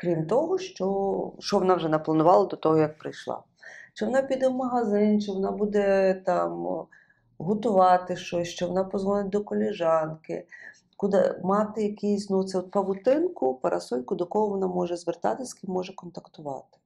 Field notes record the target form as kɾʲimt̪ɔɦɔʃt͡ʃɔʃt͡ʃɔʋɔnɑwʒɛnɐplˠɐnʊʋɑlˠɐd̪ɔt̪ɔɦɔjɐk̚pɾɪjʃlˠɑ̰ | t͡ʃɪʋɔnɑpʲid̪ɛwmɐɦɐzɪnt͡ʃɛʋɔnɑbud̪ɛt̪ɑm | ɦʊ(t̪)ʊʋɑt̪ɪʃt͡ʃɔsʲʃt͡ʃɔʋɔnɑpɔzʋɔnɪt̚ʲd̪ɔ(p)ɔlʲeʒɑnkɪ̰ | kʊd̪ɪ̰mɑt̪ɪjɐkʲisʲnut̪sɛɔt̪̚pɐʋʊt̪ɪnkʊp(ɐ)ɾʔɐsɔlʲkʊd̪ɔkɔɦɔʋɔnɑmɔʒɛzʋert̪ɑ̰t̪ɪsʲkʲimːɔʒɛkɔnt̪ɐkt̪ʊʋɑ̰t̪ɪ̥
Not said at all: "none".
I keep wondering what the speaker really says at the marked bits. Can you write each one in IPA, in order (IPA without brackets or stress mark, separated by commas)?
t̪, k, ɐ